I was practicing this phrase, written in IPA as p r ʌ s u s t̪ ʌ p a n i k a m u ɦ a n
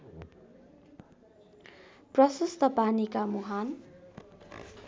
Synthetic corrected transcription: p r ʌ s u s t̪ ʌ p a n i k a m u ɦ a n